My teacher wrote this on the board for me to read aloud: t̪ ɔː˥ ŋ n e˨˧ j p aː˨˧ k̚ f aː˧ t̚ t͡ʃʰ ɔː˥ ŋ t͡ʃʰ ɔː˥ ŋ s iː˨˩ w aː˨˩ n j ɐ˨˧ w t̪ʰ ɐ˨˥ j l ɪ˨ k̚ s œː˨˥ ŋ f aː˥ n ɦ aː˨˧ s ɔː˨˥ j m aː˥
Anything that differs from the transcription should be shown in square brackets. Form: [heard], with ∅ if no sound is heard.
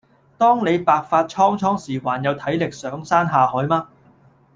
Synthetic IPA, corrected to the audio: t̪ ɔː˥ ŋ n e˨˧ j p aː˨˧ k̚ f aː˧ t̚ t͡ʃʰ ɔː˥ ŋ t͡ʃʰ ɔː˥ ŋ s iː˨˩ w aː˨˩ n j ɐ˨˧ w t̪ʰ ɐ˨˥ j l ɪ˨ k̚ s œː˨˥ ŋ [s] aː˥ n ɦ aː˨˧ [h] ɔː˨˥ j m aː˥